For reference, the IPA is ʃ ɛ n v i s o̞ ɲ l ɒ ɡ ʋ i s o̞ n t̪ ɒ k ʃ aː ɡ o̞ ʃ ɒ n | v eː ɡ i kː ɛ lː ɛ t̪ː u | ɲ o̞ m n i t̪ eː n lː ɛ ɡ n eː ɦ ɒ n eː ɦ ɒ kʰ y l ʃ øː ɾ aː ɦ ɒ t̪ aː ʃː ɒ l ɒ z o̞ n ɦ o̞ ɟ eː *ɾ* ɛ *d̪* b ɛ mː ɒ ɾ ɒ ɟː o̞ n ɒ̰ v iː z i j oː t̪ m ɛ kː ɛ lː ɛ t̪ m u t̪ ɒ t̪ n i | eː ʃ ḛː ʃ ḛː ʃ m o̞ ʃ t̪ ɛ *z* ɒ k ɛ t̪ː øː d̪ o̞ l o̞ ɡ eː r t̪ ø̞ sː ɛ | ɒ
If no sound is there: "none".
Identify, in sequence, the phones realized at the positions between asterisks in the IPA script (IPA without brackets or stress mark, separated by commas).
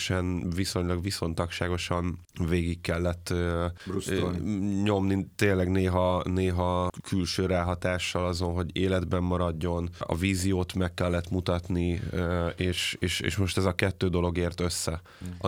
l, d̪, z